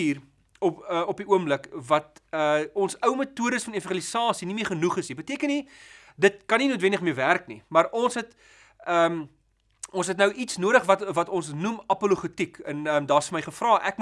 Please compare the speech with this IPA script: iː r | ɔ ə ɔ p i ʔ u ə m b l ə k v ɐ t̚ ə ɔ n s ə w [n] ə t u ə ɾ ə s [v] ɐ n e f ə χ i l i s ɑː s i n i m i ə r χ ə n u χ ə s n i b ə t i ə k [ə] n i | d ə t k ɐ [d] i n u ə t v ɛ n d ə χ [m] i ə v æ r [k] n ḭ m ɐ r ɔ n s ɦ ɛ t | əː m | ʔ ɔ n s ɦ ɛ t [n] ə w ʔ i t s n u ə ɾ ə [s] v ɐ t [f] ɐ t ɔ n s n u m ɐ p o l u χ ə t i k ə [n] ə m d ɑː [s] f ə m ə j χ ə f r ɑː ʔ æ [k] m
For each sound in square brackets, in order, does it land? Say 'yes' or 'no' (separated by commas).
no, no, yes, no, yes, yes, yes, no, no, yes, yes, yes